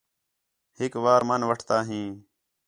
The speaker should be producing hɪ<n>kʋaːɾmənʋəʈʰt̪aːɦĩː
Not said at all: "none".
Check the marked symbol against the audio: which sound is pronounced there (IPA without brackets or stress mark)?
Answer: none